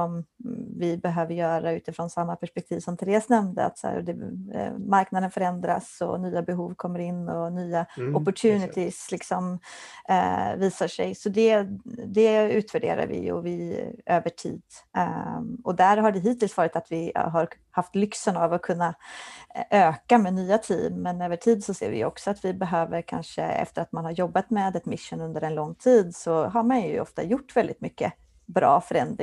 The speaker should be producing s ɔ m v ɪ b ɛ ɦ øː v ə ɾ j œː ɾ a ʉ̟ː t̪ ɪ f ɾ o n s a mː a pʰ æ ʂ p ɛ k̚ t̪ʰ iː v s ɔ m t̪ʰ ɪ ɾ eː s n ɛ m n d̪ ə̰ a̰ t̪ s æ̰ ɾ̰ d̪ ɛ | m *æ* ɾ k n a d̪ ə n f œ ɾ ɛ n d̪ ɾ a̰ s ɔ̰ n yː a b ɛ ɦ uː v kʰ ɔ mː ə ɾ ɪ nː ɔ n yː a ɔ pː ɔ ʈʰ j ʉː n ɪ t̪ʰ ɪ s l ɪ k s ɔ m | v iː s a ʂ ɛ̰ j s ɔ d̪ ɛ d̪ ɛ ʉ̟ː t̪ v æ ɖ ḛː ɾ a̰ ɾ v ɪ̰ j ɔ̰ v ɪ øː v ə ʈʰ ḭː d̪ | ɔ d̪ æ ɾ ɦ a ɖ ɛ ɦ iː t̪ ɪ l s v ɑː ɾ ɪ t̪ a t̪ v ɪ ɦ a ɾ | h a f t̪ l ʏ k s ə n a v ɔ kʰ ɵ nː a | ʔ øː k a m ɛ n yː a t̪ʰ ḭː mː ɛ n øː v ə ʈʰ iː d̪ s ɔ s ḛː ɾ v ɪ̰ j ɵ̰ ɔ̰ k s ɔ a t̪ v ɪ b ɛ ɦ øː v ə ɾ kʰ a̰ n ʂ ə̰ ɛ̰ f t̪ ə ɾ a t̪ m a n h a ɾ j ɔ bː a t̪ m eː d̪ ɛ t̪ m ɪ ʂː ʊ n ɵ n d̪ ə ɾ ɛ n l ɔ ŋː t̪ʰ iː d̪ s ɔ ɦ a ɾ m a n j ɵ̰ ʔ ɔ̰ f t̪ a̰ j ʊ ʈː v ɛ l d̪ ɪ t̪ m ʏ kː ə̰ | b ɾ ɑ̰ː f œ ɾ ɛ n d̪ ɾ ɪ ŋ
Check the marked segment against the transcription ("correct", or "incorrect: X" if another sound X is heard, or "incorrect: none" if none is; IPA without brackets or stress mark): incorrect: a